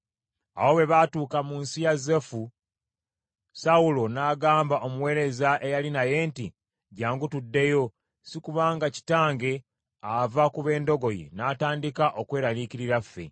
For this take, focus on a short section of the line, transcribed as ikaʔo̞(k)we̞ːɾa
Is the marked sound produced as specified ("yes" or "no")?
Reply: yes